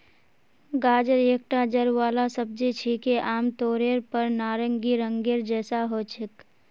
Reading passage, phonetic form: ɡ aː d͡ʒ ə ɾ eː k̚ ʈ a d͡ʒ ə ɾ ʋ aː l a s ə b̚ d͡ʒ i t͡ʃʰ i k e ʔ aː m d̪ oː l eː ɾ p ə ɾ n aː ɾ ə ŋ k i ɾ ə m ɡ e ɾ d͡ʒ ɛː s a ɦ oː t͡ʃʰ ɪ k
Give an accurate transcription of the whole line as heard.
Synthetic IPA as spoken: ɡ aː d͡ʒ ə ɾ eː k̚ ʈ a d͡ʒ ə ɾ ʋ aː l a s ə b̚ d͡ʒ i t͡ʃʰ i k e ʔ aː m t̪ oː ɾ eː ɾ p ə ɾ n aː ɾ ə ŋ ɡ i ɾ ə ŋ ɡ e ɾ d͡ʒ ɛː s a ɦ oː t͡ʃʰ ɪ k